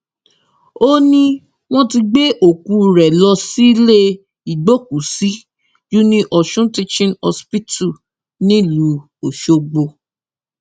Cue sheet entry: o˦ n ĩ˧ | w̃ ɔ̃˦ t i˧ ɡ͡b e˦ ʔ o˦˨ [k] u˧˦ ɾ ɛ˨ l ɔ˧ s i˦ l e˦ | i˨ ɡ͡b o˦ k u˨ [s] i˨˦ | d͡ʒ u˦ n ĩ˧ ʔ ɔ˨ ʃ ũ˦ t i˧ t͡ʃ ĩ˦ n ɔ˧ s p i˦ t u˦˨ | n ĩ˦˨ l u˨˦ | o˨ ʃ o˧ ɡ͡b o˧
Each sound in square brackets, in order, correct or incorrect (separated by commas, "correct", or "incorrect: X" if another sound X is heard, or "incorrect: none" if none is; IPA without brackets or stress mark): correct, correct